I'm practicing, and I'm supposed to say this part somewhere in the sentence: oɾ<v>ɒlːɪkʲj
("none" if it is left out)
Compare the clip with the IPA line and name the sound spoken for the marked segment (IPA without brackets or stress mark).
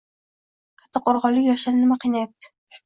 ʁ